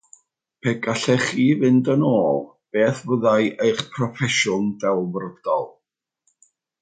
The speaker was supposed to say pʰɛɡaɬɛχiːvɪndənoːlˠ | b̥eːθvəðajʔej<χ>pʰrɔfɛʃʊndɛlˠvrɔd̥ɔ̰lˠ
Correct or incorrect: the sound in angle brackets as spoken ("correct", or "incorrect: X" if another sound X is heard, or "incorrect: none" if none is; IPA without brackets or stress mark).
correct